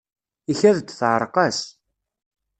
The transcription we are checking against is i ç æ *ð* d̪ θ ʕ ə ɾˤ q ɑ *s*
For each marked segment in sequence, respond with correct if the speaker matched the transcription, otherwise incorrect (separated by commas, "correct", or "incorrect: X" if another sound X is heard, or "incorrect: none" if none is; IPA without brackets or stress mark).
correct, correct